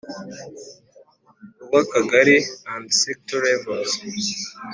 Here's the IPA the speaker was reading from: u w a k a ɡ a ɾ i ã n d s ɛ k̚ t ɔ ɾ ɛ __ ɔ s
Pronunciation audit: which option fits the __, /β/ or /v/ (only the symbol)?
v